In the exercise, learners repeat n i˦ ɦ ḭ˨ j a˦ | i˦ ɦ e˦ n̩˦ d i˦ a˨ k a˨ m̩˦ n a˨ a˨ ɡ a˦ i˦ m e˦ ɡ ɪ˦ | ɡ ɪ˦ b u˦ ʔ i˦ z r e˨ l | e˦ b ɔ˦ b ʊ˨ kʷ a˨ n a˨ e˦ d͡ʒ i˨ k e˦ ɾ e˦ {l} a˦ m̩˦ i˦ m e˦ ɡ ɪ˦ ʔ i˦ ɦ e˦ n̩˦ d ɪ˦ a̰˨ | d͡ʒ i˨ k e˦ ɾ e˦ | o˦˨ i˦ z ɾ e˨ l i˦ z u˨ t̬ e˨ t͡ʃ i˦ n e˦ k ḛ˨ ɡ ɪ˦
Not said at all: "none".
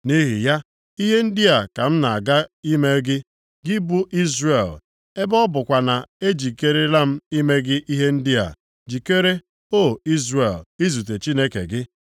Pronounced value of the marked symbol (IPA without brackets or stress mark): l